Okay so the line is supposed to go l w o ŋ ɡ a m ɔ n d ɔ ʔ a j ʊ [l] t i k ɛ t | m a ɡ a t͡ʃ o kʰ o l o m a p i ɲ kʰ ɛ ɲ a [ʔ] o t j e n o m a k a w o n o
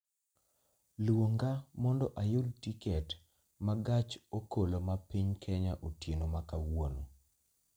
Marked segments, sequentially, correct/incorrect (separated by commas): correct, correct